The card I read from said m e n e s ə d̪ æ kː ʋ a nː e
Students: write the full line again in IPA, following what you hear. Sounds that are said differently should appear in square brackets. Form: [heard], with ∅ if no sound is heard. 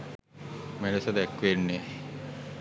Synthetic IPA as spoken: m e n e s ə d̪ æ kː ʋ [e] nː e